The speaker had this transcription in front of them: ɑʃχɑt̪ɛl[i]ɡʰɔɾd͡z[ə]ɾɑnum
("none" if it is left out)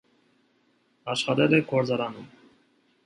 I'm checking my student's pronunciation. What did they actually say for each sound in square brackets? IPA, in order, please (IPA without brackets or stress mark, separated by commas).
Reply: ɛ, ɑ